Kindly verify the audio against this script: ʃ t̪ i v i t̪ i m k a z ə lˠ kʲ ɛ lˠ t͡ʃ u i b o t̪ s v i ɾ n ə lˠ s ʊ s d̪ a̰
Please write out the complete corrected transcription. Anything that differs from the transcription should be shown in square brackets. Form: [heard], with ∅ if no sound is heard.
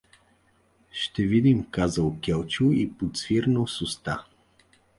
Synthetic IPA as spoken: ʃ t̪ [ɛ] v i [d̪] i m k a z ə lˠ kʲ ɛ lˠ t͡ʃ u i [p] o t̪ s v i ɾ n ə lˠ s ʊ s [t̪] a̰